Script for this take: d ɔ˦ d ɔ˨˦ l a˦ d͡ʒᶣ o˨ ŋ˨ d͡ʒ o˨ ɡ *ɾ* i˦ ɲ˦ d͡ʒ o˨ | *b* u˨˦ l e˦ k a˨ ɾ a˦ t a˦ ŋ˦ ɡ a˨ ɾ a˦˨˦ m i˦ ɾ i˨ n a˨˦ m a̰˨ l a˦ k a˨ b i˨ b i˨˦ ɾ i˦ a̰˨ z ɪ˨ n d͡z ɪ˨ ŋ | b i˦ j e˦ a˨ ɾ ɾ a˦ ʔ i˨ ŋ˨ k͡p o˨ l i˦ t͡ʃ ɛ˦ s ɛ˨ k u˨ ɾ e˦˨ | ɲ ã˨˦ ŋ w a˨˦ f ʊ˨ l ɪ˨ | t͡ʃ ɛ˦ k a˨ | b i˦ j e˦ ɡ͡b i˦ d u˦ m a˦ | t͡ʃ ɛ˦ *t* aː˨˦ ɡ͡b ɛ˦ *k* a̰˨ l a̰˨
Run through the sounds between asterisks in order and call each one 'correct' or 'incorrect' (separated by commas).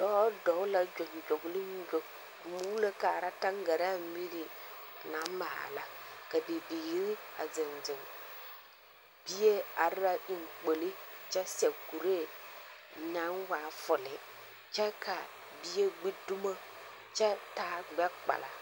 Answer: incorrect, incorrect, correct, incorrect